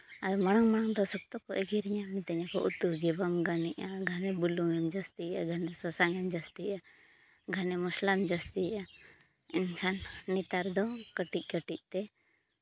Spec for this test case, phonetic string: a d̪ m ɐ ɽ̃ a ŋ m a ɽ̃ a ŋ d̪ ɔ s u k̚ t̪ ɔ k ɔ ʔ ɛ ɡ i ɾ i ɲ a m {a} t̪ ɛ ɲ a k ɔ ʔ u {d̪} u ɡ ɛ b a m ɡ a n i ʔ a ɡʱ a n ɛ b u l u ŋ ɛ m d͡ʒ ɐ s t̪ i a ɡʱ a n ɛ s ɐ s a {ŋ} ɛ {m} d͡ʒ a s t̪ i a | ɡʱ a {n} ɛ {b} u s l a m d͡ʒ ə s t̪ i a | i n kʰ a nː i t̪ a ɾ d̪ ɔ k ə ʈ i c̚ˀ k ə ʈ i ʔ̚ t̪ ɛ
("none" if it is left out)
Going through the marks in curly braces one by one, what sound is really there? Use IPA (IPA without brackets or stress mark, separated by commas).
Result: i, t̪, ŋ, m, n, m